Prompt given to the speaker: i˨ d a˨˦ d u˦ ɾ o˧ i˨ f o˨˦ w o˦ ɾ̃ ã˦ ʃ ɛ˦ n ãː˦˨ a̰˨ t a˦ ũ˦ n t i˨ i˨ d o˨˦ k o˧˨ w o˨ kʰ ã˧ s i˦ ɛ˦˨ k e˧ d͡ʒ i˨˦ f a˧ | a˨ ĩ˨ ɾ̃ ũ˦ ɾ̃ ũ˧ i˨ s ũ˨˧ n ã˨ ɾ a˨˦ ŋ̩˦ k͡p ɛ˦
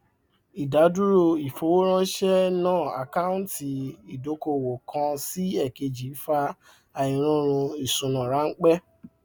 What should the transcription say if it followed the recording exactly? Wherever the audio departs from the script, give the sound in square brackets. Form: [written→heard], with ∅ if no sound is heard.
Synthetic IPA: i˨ d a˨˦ d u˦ ɾ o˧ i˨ f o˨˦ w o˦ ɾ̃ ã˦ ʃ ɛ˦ n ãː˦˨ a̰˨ [t→k] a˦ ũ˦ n t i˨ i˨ d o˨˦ k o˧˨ w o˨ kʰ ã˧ s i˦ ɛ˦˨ k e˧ d͡ʒ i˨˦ f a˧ | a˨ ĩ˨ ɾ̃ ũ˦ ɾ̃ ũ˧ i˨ s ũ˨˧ n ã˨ ɾ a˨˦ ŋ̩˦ k͡p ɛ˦